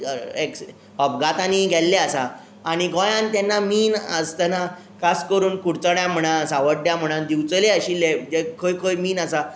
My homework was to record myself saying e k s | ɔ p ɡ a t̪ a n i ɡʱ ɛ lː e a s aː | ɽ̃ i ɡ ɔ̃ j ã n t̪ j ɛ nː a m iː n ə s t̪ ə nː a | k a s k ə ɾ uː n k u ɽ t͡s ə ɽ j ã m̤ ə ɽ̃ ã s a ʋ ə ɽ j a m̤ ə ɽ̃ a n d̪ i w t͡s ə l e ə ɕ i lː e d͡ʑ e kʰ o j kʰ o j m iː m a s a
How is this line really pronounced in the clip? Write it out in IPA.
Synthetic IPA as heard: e k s | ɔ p ɡ a t̪ a n i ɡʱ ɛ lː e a s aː | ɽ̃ i ɡ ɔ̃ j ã n t̪ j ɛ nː a m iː n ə s t̪ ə n a | k a s k ə ɾ uː n k u ɽ t͡s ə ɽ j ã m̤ ə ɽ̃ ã s a ʋ ə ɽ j a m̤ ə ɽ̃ a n d̪ i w t͡s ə l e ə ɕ i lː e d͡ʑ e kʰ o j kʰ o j m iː n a s a